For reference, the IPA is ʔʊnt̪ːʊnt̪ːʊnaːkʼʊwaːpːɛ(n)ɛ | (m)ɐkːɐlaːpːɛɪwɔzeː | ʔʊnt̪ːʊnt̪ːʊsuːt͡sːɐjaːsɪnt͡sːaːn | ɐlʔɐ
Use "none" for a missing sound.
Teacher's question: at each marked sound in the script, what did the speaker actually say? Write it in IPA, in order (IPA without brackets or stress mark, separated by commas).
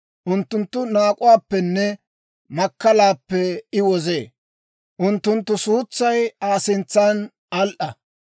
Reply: nː, m